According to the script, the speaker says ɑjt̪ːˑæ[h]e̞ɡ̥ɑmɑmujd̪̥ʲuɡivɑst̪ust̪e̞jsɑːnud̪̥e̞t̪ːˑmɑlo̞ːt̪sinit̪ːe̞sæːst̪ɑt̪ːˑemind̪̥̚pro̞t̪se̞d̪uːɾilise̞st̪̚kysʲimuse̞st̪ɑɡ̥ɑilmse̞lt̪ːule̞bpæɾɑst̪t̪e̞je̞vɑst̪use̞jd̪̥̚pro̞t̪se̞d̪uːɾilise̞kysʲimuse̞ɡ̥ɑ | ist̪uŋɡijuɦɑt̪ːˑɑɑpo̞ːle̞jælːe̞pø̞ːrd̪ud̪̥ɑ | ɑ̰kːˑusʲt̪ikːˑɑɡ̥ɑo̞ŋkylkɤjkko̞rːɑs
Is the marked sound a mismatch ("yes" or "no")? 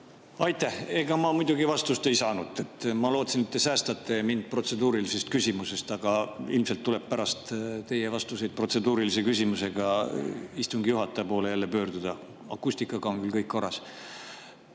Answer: no